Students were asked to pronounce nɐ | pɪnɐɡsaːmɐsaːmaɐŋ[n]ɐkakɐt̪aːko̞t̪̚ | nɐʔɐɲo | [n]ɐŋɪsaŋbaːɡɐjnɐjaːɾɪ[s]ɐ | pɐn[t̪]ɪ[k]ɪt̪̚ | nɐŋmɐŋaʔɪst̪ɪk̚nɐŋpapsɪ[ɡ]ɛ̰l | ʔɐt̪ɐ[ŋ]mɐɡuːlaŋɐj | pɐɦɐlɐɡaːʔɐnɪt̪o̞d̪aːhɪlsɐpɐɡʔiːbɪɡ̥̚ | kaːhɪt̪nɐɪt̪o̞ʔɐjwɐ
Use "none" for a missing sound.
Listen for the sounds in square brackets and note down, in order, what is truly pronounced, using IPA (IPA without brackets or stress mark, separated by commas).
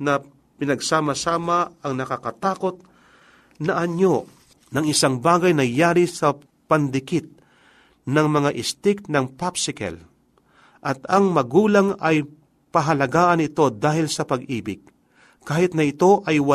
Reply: n, n, s, d̪, k, k, ŋ